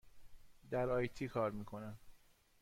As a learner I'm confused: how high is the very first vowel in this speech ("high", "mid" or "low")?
low